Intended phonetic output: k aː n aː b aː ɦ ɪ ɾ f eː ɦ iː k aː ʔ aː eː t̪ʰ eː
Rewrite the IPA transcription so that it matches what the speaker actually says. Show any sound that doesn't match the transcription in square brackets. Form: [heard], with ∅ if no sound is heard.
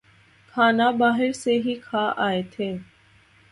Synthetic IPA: [kʰ] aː n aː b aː ɦ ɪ ɾ [s] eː ɦ iː [kʰ] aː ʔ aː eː t̪ʰ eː